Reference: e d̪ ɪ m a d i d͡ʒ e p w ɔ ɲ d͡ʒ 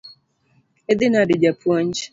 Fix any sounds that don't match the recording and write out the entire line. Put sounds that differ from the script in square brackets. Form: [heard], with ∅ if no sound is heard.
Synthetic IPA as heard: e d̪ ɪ [n] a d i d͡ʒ [a] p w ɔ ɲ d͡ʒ

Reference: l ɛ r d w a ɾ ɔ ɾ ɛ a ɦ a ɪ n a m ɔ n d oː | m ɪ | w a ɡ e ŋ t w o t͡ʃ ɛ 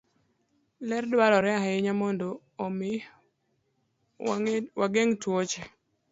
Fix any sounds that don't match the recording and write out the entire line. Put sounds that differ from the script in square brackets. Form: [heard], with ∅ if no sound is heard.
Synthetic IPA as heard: l ɛ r d w a ɾ ɔ ɾ ɛ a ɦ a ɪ [ɲ] a m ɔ n d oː | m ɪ | w a ɡ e ŋ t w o t͡ʃ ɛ

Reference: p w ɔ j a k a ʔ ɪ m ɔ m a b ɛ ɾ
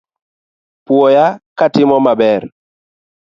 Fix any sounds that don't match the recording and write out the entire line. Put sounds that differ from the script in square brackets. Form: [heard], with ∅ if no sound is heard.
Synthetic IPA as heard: p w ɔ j a k a [t] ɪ m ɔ m a b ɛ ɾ

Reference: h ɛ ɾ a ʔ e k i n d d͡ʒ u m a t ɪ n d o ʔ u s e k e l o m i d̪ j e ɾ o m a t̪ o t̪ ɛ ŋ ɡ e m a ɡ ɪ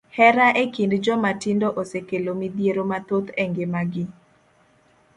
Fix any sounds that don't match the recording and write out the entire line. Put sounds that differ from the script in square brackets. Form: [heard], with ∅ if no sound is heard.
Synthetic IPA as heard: h ɛ ɾ a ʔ e k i n d d͡ʒ [ɔ] m a t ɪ n d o ʔ [o] s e k e l o m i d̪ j e ɾ o m a t̪ o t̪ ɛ ŋ ɡ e m a ɡ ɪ

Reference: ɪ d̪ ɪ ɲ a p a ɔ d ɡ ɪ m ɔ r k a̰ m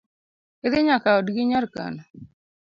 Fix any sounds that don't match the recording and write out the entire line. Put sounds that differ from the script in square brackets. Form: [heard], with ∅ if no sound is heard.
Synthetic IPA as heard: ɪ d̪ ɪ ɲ a [k] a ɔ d ɡ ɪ [ɲ] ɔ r k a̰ [n]

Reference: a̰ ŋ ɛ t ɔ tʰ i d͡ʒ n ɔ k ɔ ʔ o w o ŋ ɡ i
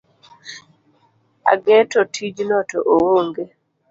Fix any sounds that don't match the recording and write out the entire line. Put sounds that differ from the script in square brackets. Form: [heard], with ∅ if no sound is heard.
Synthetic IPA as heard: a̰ [ɡ] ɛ t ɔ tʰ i d͡ʒ n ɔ [t] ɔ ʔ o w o ŋ ɡ [e]

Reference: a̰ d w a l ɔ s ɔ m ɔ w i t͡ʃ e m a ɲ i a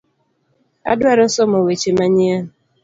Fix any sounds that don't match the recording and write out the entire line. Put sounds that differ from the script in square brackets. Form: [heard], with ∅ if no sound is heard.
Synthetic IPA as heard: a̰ d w a [ɾ] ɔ s ɔ m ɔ w [e] t͡ʃ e m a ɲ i a

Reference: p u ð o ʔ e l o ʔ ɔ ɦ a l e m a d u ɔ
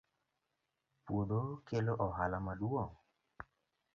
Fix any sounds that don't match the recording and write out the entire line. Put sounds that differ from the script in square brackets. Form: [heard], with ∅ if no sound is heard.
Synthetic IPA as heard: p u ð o [k] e l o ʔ ɔ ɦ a l [a] m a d u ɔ

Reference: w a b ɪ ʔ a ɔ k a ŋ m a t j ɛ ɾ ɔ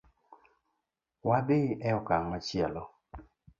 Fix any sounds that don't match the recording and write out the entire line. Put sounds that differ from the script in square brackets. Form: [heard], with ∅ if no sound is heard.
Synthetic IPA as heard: w a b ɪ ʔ [ɛ] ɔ k a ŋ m a [t͡ʃ] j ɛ [l] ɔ

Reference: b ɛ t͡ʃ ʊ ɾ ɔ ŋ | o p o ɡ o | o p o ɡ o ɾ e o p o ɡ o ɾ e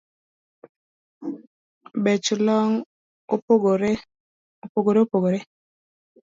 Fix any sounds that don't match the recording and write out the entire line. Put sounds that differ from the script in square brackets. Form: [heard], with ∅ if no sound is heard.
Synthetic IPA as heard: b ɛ t͡ʃ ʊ [l] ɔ ŋ | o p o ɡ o | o p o ɡ o ɾ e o p o ɡ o ɾ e

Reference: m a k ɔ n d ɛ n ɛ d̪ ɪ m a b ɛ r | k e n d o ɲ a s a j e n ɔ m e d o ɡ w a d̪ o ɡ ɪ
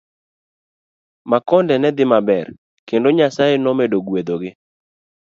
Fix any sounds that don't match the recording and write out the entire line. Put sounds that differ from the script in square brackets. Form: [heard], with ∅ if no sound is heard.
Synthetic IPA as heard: m a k ɔ n d ɛ n ɛ d̪ ɪ m a b ɛ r | k e n d o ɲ a s a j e n ɔ m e d o ɡ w [e] d̪ o ɡ ɪ

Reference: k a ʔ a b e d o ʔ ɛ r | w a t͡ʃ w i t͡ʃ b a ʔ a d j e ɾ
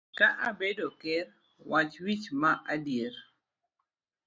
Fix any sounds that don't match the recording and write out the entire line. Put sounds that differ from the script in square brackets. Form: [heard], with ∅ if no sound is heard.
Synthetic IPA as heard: k a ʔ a b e d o [k] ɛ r | w a t͡ʃ w i t͡ʃ [m] a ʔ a d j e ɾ

